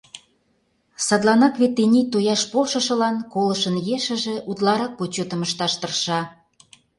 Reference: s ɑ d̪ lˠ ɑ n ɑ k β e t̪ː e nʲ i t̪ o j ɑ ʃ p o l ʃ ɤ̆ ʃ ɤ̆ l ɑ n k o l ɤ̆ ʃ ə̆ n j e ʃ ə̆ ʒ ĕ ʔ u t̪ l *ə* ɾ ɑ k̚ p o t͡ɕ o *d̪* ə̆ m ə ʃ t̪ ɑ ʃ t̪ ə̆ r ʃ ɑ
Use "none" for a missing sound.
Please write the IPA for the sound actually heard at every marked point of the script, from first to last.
ɑ, t̪

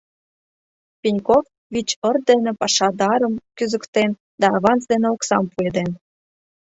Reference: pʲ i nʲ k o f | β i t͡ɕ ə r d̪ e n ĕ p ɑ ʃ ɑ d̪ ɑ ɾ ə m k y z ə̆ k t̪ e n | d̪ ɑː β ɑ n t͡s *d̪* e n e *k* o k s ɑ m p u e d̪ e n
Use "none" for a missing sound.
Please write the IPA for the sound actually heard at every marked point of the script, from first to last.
d̪, none

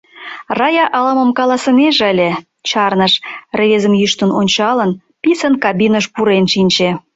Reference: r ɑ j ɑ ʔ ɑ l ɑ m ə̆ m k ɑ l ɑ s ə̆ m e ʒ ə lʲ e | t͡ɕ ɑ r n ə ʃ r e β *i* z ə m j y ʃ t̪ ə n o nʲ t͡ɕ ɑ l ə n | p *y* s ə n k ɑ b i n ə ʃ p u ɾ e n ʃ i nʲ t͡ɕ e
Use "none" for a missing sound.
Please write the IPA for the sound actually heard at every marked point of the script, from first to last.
e, i

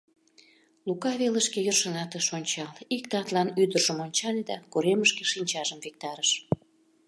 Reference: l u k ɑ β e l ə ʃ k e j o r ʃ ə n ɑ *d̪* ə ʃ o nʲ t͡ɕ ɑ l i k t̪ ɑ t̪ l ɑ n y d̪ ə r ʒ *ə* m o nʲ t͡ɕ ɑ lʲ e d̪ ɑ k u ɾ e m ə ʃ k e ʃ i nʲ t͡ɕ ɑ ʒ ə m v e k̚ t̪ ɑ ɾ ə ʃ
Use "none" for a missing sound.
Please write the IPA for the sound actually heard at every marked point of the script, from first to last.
t̪, ə

